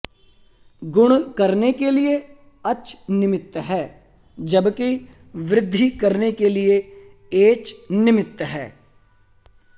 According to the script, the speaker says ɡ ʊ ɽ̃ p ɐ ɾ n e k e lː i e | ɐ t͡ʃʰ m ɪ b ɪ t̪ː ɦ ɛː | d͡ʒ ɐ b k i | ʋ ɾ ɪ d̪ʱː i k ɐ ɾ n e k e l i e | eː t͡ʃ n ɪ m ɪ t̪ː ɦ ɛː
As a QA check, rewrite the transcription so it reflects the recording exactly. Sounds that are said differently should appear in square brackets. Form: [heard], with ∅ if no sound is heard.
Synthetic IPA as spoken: ɡ ʊ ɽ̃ [k] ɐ ɾ n e k e [l] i e | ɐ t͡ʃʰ [n] ɪ [m] ɪ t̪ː ɦ ɛː | d͡ʒ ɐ b k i | ʋ ɾ ɪ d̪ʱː i k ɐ ɾ n e k e l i e | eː t͡ʃ n ɪ m ɪ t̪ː ɦ ɛː